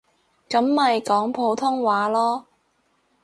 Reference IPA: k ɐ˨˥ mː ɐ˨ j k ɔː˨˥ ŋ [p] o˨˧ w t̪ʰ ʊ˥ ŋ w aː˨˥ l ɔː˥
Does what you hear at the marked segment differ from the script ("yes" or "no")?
yes